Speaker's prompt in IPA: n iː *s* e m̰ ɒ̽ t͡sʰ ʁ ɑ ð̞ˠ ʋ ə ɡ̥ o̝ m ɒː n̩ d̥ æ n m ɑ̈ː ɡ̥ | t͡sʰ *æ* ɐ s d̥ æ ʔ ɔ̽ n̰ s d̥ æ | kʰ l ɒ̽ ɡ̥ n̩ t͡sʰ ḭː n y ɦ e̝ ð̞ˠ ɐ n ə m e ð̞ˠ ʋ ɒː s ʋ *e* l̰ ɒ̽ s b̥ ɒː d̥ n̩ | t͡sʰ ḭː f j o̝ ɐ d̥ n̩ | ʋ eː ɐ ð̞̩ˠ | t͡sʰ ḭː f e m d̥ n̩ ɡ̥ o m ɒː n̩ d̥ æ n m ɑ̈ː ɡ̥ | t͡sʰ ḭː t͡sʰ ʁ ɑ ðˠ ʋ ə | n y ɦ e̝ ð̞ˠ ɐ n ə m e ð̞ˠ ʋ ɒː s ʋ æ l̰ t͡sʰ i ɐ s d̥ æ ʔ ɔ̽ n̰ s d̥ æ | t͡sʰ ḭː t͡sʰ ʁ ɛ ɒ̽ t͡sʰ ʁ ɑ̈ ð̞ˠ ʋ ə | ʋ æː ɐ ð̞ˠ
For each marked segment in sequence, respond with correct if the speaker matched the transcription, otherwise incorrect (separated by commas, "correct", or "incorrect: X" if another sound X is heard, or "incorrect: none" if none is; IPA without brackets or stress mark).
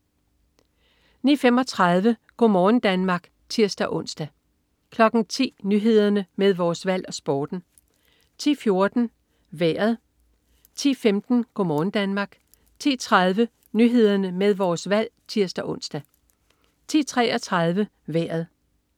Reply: incorrect: f, incorrect: i, incorrect: æ